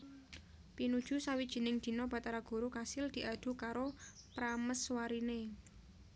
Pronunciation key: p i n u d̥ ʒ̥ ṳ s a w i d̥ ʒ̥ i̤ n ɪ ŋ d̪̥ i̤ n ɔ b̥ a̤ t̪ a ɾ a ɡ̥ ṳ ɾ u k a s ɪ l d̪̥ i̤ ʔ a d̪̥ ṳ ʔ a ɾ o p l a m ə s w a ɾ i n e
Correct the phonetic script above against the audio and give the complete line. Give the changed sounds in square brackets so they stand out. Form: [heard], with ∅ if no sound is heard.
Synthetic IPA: p i n u d̥ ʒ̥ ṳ s a w i d̥ ʒ̥ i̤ n ɪ ŋ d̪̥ i̤ n ɔ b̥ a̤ t̪ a ɾ a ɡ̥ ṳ ɾ u k a s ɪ l d̪̥ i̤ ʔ a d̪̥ ṳ [k] a ɾ o p [ɾ] a m ə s w a ɾ i n e